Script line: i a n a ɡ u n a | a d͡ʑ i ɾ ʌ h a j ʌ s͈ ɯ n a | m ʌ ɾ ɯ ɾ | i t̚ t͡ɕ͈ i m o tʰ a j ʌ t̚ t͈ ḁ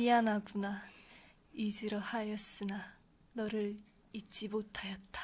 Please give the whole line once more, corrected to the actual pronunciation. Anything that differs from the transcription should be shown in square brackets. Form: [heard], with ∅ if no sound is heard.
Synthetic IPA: i a n a ɡ u n a | [i] d͡ʑ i ɾ ʌ h a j ʌ s͈ ɯ n a | [n] ʌ ɾ ɯ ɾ | i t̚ t͡ɕ͈ i m o tʰ a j ʌ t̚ t͈ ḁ